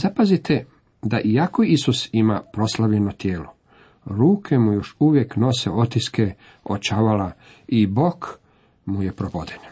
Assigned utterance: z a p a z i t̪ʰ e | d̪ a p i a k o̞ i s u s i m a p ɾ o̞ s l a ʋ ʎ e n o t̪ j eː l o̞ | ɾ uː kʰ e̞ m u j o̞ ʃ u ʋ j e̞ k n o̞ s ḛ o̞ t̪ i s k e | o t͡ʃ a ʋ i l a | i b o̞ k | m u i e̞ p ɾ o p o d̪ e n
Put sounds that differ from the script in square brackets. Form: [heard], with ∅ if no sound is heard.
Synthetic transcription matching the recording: z a p a z i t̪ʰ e | d̪ a [ʔ] i a k o̞ i s u s i m a p ɾ o̞ s l a ʋ ʎ e n o t̪ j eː l o̞ | ɾ uː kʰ e̞ m u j o̞ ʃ u ʋ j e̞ k n o̞ s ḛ o̞ t̪ i s k e | o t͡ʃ a ʋ [a] l a | i b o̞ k | m u [j] e̞ p ɾ o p o d̪ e n